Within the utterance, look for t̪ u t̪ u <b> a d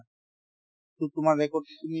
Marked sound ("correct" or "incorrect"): incorrect